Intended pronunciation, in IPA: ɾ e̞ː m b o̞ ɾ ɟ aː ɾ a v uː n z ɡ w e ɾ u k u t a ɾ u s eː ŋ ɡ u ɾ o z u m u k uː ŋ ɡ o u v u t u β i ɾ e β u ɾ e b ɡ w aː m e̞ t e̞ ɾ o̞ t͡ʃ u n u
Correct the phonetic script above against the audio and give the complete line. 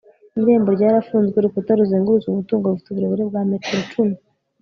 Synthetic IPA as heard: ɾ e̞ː m b o̞ ɾ ɟ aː ɾ a f uː n z ɡ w e ɾ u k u t a ɾ u z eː ŋ ɡ u ɾ u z u m u t uː ŋ ɡ o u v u t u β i ɾ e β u ɾ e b ɡ w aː m e̞ t e̞ ɾ o̞ t͡ʃ u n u